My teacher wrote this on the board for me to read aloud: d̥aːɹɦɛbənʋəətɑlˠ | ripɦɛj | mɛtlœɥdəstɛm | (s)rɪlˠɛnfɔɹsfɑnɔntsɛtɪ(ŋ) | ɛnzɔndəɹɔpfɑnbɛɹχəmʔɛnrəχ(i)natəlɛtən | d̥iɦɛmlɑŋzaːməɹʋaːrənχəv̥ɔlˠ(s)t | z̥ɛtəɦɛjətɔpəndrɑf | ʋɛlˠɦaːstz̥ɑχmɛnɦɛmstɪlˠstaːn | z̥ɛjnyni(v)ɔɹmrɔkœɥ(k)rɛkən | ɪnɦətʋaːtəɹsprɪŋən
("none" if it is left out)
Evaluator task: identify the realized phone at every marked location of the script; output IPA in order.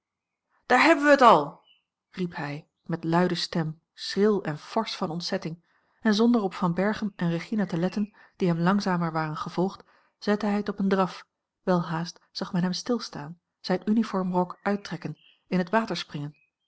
s, ŋ, i, χ, f, t

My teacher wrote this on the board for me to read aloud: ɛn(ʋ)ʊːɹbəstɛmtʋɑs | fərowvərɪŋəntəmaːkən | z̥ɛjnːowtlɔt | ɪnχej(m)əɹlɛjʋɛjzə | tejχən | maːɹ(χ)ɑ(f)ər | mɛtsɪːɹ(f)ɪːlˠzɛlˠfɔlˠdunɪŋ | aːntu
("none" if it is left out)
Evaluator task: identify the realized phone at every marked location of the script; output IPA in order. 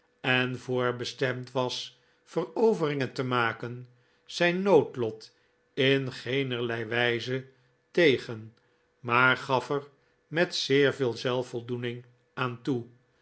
v, n, χ, f, v

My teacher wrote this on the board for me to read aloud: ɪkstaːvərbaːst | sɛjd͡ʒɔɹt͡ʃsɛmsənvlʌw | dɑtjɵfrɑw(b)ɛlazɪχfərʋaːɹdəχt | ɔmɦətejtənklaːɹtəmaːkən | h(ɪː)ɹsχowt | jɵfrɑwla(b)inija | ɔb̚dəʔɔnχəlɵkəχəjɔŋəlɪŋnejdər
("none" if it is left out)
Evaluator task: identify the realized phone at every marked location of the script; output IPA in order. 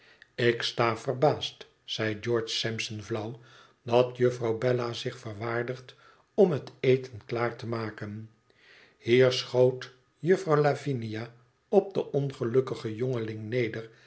b, iː, v

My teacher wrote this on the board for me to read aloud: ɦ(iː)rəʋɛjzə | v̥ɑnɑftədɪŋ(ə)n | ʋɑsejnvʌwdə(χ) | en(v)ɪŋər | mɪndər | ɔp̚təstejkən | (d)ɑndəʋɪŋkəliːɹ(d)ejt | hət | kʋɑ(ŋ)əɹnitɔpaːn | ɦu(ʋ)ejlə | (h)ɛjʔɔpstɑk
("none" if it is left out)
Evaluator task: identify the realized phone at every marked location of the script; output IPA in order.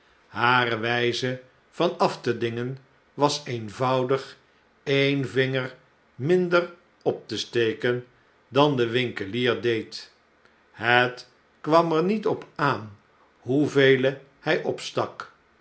aː, ə, χ, v, d, d, m, v, h

